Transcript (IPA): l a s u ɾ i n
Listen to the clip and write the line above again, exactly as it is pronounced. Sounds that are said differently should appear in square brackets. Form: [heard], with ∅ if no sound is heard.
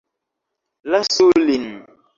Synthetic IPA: l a s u [l] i n